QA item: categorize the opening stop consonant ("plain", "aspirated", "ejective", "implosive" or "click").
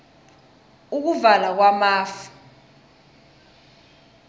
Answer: plain